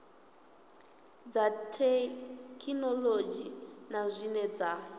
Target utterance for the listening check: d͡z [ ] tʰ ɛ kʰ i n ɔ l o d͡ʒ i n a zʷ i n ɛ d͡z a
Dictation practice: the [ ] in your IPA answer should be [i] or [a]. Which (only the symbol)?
a